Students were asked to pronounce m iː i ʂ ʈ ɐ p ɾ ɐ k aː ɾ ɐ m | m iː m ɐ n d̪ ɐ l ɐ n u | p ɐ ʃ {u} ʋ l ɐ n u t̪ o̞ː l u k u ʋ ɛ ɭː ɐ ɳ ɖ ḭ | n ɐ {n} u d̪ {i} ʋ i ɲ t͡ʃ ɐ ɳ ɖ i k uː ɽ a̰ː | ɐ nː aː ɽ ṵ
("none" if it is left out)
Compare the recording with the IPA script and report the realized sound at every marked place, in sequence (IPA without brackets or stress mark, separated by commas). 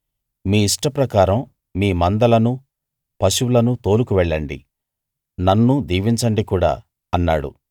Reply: u, nː, iː